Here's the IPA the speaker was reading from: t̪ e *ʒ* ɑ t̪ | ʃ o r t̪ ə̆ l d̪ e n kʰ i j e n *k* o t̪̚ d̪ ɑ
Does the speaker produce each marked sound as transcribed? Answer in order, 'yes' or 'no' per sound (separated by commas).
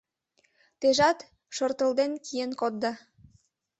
yes, yes